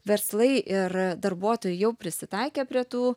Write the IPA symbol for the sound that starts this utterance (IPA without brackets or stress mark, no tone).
ʋʲ